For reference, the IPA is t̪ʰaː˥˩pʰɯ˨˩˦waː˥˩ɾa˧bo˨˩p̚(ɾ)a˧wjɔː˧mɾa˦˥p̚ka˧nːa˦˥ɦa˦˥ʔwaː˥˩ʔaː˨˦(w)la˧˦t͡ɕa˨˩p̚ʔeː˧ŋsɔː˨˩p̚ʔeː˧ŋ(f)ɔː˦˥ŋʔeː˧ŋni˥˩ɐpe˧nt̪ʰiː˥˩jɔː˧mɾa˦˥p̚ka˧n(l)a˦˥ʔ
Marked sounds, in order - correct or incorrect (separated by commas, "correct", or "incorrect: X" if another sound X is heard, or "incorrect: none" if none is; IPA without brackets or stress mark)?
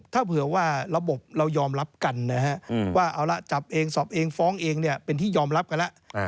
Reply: correct, correct, correct, correct